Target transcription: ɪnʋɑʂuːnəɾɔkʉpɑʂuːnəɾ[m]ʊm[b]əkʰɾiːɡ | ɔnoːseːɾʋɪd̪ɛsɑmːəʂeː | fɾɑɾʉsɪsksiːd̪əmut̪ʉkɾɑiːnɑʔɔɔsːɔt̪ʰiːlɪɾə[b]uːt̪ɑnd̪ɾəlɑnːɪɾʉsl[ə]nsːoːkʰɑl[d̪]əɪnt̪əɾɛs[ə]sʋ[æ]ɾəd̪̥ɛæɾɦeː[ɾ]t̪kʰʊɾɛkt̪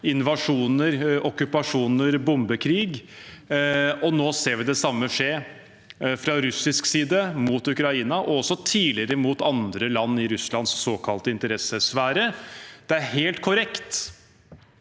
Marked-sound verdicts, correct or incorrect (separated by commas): incorrect, correct, incorrect, incorrect, incorrect, correct, incorrect, incorrect